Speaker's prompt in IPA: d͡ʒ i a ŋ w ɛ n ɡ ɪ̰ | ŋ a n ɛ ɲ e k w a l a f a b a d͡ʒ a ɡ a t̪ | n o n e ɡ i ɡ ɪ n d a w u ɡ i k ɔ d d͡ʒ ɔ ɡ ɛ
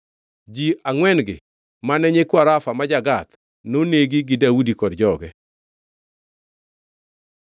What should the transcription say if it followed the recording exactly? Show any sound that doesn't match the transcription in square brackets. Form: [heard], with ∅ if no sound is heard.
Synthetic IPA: d͡ʒ i a ŋ w ɛ n ɡ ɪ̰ | [m] a n ɛ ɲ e k w a [ɾ] a f a [m] a d͡ʒ a ɡ a t̪ | n o n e ɡ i ɡ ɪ [∅] d a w u [d] i k ɔ d d͡ʒ ɔ ɡ ɛ

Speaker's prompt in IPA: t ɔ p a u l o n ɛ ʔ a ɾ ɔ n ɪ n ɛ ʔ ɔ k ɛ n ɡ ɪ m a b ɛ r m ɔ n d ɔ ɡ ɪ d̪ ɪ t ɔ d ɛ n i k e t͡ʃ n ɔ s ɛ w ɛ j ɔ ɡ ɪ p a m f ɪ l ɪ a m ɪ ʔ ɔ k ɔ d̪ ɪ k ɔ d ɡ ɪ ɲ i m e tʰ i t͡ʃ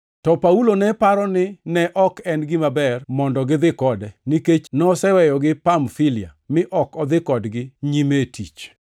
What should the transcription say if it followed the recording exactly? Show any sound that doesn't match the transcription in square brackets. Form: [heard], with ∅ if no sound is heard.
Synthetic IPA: t ɔ p a u l o n ɛ [p] a ɾ ɔ n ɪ n ɛ ʔ ɔ k ɛ n ɡ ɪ m a b ɛ r m ɔ n d ɔ ɡ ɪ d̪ ɪ [k] ɔ d ɛ n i k e t͡ʃ n ɔ s ɛ w ɛ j ɔ ɡ ɪ p a m f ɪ l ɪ a m ɪ ʔ ɔ k ɔ d̪ ɪ k ɔ d ɡ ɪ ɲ i m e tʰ i t͡ʃ

